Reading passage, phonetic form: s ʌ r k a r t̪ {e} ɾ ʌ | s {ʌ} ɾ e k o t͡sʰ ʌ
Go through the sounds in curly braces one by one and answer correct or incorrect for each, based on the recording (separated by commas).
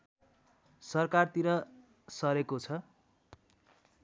incorrect, correct